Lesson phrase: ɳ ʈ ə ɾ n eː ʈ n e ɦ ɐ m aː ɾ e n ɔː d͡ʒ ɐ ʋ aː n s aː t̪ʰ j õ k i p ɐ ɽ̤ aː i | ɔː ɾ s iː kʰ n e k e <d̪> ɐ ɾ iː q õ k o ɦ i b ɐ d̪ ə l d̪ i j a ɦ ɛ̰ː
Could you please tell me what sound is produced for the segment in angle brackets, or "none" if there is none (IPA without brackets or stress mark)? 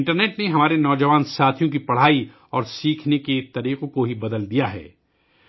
t̪